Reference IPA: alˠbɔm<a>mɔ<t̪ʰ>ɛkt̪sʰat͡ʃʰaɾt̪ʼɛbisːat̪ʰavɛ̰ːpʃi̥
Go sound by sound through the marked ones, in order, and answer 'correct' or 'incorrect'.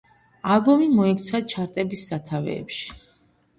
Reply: incorrect, incorrect

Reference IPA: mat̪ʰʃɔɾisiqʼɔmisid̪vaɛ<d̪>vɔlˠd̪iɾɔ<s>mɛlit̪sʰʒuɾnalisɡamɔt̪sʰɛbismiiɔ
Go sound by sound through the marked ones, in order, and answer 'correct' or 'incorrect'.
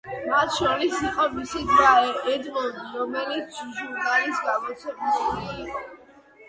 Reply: correct, incorrect

